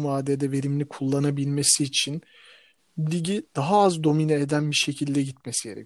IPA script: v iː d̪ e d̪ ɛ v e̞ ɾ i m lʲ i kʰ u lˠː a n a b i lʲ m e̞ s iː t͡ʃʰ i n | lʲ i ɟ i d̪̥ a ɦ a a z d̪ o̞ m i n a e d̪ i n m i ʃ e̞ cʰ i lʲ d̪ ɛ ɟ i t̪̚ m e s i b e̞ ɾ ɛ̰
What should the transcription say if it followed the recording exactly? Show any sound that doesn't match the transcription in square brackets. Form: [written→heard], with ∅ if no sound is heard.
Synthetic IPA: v [iː→aː] d̪ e d̪ ɛ v e̞ ɾ i m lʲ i kʰ u lˠː a n a b i lʲ m e̞ s iː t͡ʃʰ i n | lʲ i ɟ i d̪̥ a ɦ a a z d̪ o̞ m i n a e d̪ [i→æ] n [m→b] i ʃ e̞ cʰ i lʲ d̪ ɛ ɟ i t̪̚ m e s i [b→ɟ] e̞ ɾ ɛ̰